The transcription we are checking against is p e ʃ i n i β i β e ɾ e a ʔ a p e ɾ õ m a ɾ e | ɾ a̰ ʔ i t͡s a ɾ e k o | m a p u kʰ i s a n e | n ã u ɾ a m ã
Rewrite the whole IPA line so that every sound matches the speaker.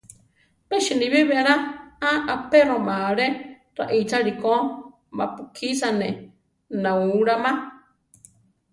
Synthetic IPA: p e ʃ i n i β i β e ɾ a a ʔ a p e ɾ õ m a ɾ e | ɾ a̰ ʔ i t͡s a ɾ i k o | m a p u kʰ i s a n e | n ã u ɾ a m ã